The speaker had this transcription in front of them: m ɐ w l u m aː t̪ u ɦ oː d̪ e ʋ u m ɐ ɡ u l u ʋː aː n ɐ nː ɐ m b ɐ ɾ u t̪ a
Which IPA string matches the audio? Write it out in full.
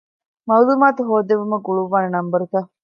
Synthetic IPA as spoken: m ɐ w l u m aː t̪ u ɦ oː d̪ e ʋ u m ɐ ɡ u ɭ u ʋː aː n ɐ n ɐ m b ɐ ɾ u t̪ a